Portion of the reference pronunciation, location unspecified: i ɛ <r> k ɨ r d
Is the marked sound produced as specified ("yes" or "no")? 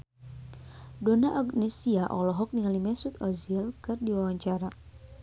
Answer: no